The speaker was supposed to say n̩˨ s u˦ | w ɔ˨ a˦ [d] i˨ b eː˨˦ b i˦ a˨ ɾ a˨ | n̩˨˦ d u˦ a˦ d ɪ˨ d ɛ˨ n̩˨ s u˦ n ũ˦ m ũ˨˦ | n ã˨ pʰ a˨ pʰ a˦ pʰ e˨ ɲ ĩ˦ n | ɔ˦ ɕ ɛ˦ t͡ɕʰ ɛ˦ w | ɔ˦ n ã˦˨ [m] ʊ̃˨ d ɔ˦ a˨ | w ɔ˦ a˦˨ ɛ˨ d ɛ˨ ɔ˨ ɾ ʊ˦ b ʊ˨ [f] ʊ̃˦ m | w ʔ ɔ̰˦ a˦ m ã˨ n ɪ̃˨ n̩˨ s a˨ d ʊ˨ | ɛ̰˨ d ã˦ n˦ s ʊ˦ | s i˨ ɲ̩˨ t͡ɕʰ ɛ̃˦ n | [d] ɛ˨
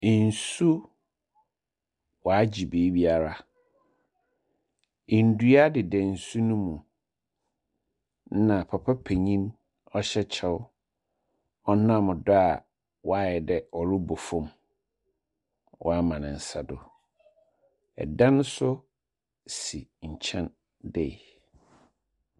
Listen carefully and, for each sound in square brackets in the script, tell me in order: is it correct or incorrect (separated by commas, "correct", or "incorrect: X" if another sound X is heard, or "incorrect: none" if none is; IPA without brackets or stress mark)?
incorrect: d͡ʑ, correct, correct, correct